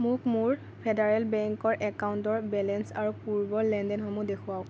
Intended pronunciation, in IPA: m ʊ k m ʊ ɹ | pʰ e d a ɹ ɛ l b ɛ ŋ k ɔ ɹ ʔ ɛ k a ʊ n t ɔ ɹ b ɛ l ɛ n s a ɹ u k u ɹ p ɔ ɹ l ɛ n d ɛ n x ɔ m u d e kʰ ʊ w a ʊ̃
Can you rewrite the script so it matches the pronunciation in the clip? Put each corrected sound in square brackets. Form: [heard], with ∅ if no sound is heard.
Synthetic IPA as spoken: m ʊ k m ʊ ɹ | pʰ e d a ɹ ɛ l b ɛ ŋ k ɔ ɹ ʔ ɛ k a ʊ n t ɔ ɹ b ɛ l ɛ n s a ɹ u [p] u ɹ [b] ɔ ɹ l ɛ n d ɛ n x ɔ m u d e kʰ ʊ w a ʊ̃